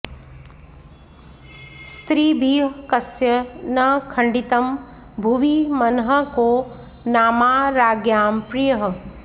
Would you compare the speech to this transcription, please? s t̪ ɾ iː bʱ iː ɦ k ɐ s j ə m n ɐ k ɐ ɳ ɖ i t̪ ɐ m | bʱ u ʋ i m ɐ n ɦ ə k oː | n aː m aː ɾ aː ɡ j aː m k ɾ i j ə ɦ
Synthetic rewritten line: s t̪ ɾ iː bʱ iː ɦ k ɐ s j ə n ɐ kʰ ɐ ɳ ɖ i t̪ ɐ m | bʱ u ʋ i m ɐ n ɦ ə k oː | n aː m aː ɾ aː ɡ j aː m p ɾ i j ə ɦ